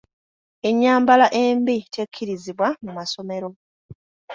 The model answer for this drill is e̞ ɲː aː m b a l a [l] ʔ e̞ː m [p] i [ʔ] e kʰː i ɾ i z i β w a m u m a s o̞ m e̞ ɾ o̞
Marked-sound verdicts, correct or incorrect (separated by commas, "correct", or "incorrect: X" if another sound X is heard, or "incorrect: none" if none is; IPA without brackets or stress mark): incorrect: none, incorrect: b, incorrect: t